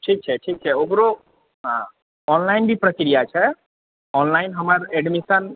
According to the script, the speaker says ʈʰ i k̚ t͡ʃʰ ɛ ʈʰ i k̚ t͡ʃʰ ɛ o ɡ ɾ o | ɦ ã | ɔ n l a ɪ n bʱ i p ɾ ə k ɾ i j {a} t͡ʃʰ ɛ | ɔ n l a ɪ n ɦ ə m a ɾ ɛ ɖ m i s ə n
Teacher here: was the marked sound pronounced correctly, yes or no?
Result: yes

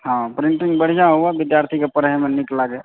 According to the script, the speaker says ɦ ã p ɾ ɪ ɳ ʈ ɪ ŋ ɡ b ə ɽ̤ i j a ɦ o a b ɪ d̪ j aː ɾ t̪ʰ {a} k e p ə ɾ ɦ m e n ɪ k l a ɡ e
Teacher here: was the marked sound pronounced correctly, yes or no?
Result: no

